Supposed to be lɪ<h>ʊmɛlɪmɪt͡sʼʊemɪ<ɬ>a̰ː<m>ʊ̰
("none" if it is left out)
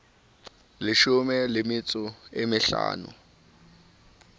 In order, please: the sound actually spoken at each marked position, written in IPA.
ʃ, ɬ, n

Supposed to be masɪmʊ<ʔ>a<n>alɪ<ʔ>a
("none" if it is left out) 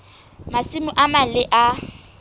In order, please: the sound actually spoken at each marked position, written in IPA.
ʔ, m, ʔ

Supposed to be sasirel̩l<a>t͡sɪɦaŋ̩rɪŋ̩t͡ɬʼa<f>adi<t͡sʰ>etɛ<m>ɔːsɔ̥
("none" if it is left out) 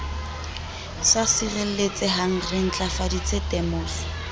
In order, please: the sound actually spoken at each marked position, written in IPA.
e, f, t͡s, m

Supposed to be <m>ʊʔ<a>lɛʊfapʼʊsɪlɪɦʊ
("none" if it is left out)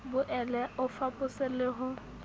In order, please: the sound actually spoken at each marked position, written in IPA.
b, ɛ

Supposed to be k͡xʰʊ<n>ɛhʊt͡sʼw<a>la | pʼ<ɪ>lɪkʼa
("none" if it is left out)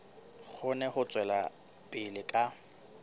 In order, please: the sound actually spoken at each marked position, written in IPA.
n, ɛ, ɪ

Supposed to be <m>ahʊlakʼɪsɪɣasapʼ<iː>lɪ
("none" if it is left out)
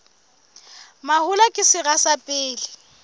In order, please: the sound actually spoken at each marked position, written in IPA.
m, ɪː

